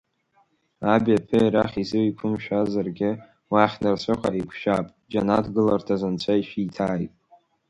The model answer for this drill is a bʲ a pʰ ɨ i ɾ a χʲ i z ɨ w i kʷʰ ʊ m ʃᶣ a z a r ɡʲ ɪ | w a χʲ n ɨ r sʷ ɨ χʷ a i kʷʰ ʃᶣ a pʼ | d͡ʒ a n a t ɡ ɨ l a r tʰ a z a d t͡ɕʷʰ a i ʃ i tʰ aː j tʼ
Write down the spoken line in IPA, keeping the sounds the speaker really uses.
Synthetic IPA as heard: a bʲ a pʰ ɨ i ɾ a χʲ i z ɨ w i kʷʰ ʊ m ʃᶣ a z a r ɡʲ ɪ | w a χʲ n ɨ r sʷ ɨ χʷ a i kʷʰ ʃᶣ a pʼ | d͡ʒ a n a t ɡ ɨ l a r tʰ a z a n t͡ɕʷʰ a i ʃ i tʰ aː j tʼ